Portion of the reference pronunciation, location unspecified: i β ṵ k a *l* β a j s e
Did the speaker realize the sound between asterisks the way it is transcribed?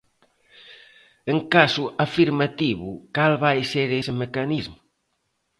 yes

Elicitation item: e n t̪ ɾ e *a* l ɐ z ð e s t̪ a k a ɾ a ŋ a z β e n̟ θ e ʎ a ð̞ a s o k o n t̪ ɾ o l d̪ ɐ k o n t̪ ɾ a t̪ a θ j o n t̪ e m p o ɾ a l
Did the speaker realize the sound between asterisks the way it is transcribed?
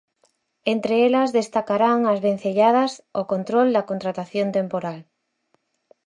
no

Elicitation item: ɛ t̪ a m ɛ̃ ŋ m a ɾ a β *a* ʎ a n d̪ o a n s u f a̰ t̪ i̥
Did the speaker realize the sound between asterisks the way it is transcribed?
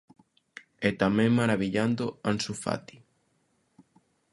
no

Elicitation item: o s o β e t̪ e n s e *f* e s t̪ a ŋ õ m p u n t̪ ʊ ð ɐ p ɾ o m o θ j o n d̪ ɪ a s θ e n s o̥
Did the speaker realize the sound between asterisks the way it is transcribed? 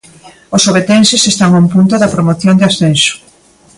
no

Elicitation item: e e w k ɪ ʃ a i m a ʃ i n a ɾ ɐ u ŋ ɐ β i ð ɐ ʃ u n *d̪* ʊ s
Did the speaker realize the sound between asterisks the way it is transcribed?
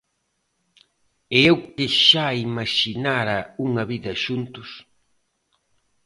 no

